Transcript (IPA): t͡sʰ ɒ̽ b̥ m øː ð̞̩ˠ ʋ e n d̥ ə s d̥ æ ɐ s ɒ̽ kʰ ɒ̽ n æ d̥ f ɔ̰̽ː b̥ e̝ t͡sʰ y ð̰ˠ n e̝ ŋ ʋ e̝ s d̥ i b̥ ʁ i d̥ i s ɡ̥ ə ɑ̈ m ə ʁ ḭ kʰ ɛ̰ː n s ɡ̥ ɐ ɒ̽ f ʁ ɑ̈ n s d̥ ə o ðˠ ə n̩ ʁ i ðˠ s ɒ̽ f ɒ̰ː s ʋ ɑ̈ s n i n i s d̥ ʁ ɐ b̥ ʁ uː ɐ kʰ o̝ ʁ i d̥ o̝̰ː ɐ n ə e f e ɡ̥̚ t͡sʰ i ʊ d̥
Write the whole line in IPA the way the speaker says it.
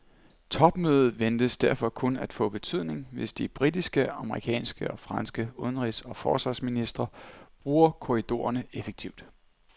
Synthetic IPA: t͡sʰ ɒ̽ b̥ m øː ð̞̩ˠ ʋ e n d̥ ə s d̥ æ ɐ f ɒ̽ kʰ ɔ̽ n æ d̥ f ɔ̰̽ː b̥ e̝ t͡sʰ y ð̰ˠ n e̝ ŋ ʋ e̝ s d̥ i b̥ ʁ i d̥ i s ɡ̥ ə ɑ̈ m ə ʁ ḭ kʰ ɛ̰ː n s ɡ̥ ə ɒ̽ f ʁ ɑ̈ n s ɡ̥ ə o ðˠ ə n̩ ʁ i s ɒ̽ f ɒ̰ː s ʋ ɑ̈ s m i n i s d̥ ʁ ɐ b̥ ʁ uː ɐ kʰ o̝ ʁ i d̥ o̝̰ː ɐ n ə e f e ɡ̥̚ t͡sʰ i ʊ d̥